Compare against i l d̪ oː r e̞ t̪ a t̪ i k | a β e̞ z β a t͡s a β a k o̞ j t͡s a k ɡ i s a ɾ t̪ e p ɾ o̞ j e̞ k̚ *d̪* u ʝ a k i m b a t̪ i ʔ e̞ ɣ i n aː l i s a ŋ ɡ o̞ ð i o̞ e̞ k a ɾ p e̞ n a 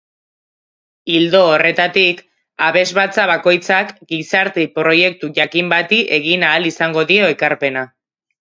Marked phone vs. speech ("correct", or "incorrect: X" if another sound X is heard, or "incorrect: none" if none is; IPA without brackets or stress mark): incorrect: t̪